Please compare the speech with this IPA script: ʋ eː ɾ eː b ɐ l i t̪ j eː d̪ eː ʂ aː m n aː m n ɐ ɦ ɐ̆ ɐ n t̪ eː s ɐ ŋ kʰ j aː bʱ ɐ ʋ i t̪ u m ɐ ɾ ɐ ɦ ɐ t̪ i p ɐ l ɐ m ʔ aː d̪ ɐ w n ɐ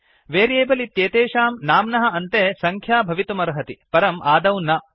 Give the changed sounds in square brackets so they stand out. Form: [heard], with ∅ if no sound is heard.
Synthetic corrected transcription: ʋ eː ɾ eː b ɐ l i t̪ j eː [t̪] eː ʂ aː m n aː m n ɐ ɦ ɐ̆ ɐ n t̪ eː s ɐ ŋ kʰ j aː bʱ ɐ ʋ i t̪ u m ɐ ɾ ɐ ɦ ɐ t̪ i p ɐ [ɾ] ɐ m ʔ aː d̪ ɐ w n ɐ

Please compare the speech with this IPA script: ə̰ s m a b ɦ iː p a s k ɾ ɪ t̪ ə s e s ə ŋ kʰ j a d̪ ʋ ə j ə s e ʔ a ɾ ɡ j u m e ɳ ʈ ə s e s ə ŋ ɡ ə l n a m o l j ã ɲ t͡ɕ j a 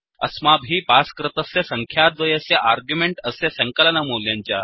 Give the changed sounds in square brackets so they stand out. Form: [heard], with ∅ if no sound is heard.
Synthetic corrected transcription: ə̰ s m a b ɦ iː p a s k ɾ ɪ t̪ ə s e s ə ŋ kʰ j a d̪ ʋ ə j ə s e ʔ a ɾ ɡ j u m e ɳ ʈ ə s e s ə ŋ [k] ə l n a m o l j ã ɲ t͡ɕ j a

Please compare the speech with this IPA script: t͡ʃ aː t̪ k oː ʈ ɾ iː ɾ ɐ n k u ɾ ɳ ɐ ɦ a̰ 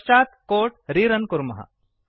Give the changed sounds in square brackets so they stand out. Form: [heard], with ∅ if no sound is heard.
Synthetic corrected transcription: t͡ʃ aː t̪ k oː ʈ ɾ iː ɾ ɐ n k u ɾ [m] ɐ ɦ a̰

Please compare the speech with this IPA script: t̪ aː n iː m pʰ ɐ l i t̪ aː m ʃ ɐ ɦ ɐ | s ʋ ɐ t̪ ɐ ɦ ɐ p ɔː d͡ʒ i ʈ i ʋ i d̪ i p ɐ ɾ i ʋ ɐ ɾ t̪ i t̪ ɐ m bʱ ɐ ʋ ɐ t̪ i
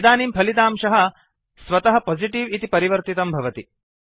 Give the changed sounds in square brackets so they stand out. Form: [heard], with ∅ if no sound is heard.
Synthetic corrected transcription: [d̪] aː n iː m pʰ ɐ l i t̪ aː m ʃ ɐ ɦ ɐ | s ʋ ɐ t̪ ɐ ɦ ɐ p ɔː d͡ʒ i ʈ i ʋ i [t̪] i p ɐ ɾ i ʋ ɐ ɾ t̪ i t̪ ɐ m bʱ ɐ ʋ ɐ t̪ i

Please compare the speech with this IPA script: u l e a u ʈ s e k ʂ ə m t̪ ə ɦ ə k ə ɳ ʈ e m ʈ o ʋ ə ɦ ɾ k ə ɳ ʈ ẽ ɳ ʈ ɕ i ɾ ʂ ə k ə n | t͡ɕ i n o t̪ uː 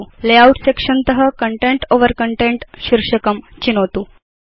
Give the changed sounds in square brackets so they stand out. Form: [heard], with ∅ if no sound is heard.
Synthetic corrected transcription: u l e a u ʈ s e k ʂ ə [n] t̪ ə ɦ ə k ə ɳ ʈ e [ɳ] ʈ o ʋ ə [∅] ɾ k ə ɳ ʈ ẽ ɳ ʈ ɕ i ɾ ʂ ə k ə [m] | t͡ɕ i n o t̪ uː

